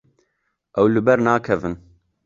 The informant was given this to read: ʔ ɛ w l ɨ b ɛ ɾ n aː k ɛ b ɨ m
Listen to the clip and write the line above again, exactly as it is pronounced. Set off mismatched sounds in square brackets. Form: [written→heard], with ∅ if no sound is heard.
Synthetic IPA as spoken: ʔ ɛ w l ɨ b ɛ ɾ n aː [k→kʰ] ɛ [b→v] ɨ [m→n]